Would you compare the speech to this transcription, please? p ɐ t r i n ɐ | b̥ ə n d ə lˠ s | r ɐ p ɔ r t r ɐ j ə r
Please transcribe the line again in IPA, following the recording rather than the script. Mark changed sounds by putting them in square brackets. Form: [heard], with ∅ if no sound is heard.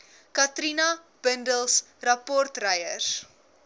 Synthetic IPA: [k] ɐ t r i n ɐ | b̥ ə n d ə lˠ s | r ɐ p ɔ r t r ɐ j ə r